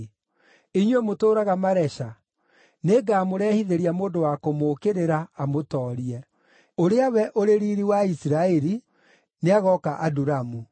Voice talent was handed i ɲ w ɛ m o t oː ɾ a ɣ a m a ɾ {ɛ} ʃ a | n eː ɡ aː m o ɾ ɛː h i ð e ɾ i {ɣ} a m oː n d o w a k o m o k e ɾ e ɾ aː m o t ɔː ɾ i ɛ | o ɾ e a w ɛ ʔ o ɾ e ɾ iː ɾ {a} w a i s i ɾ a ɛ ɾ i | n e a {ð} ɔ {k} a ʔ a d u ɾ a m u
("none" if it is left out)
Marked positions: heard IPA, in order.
ɛ, none, i, ɣ, k

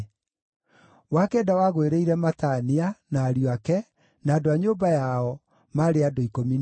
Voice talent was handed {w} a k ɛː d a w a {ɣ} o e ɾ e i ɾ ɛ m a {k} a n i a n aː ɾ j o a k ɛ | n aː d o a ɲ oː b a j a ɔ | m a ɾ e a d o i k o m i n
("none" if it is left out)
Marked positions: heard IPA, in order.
w, ɣ, t

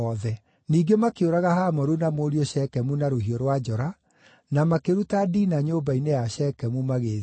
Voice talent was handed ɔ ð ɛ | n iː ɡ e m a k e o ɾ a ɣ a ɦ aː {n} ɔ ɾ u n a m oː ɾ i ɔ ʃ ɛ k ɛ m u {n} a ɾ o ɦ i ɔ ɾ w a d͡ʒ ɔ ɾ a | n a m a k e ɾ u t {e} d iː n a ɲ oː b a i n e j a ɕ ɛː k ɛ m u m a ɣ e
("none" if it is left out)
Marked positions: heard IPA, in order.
m, n, a

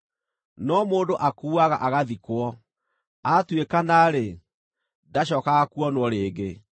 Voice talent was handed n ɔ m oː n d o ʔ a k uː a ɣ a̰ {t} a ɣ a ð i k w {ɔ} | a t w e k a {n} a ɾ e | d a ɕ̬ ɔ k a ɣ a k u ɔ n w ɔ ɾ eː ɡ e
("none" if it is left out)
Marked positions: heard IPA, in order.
ʔ, ɔ, n

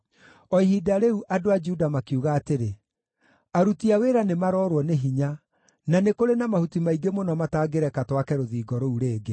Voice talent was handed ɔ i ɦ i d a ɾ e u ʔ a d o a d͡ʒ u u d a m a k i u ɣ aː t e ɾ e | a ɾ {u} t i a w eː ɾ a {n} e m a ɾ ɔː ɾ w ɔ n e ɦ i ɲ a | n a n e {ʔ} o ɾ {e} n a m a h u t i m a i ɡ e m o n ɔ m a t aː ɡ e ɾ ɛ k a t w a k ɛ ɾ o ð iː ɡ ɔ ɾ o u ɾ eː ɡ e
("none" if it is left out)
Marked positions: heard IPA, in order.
u, n, k, e

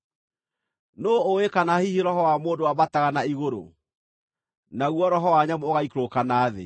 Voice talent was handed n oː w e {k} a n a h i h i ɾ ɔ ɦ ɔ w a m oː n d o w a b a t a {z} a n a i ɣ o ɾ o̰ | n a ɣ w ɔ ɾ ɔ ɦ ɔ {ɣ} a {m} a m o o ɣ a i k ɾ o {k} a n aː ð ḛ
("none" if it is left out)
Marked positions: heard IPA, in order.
k, ɣ, w, ɲ, k

